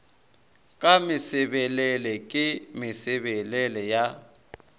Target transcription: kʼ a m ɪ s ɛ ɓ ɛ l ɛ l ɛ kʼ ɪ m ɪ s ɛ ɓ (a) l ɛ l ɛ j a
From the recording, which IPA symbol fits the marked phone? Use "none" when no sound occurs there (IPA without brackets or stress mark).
ɛ